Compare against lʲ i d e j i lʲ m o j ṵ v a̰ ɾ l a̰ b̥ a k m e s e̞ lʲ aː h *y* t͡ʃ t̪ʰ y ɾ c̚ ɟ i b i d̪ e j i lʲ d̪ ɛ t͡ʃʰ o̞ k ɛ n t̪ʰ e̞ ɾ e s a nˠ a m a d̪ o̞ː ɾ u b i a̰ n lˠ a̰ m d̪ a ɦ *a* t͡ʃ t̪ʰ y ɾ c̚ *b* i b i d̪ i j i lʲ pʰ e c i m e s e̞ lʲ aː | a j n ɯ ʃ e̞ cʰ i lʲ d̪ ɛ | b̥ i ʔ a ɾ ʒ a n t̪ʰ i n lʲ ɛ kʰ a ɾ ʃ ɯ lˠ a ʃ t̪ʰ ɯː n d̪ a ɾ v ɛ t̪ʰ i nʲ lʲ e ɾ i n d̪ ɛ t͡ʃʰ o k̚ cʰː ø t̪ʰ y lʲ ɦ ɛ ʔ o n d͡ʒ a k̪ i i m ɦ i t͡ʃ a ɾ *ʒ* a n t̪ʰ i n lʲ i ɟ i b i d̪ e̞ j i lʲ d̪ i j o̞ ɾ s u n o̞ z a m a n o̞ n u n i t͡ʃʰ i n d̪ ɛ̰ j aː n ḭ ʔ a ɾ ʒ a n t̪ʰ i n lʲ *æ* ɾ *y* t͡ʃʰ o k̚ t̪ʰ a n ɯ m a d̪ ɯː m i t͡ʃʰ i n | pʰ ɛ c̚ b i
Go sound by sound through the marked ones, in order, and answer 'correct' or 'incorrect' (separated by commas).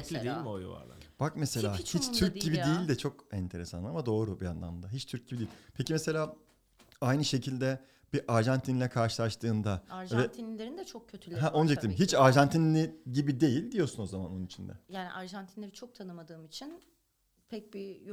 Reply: incorrect, incorrect, incorrect, correct, incorrect, incorrect